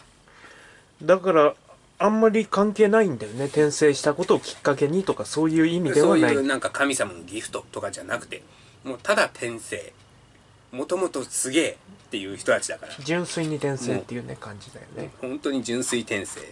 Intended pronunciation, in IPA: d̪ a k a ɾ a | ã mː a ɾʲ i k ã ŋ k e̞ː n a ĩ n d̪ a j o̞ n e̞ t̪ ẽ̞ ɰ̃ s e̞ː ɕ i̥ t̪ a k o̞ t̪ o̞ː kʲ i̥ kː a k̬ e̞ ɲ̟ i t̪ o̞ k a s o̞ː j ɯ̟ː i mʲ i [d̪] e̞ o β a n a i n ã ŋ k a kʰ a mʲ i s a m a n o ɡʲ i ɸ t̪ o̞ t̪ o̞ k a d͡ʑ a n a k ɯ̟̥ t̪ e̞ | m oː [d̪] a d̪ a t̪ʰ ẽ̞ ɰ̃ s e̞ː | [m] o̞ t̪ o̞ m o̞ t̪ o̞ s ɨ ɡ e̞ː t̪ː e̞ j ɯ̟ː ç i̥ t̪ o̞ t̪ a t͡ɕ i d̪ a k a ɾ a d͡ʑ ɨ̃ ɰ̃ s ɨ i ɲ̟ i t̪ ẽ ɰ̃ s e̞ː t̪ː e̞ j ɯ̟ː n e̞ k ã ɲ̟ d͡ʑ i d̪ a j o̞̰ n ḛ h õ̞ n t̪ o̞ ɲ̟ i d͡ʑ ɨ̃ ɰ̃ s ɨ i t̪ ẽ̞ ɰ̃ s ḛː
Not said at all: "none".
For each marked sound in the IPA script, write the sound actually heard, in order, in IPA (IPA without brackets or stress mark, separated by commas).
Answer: d̪, t̪, m